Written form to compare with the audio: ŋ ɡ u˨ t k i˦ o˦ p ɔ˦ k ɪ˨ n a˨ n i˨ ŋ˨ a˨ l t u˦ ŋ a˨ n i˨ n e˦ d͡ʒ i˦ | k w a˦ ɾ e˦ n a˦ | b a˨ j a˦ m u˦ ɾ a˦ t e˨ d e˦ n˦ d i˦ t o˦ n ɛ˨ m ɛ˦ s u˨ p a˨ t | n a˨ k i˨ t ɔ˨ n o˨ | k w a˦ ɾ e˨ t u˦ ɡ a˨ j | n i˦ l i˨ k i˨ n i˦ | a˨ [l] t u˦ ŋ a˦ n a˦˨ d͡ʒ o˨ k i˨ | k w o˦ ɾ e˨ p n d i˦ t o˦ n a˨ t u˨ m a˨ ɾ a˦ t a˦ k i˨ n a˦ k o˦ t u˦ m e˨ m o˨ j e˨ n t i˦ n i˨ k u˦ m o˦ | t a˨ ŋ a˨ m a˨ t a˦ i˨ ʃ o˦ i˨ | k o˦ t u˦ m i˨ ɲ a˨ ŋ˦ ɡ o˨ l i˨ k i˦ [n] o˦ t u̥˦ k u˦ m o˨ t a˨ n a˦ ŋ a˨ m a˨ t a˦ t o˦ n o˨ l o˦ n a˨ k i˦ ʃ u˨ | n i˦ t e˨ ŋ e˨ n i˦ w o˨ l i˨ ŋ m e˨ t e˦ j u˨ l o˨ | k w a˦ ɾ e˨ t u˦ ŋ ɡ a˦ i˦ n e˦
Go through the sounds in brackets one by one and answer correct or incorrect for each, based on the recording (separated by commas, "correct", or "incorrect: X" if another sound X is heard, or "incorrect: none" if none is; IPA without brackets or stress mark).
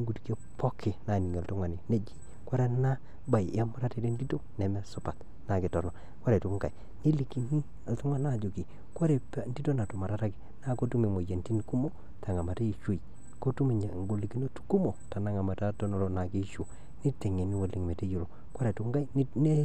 correct, correct